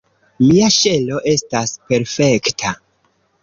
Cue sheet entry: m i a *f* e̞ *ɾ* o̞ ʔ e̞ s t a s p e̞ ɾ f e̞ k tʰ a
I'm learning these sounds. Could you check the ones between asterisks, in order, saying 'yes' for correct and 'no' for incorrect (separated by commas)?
no, no